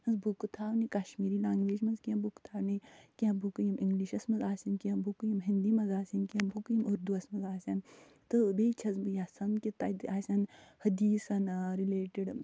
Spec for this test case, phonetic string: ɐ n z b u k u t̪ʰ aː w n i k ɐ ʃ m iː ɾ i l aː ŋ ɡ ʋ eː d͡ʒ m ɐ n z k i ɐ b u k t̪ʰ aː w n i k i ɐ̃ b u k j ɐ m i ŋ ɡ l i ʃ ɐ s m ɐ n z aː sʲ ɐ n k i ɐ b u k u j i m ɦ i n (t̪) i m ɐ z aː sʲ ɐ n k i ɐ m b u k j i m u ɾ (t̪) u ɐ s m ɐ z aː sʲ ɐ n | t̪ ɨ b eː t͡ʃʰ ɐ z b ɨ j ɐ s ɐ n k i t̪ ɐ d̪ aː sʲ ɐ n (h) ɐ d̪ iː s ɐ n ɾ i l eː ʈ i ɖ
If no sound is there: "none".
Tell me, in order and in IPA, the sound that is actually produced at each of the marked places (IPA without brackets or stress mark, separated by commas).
d̪, d̪, h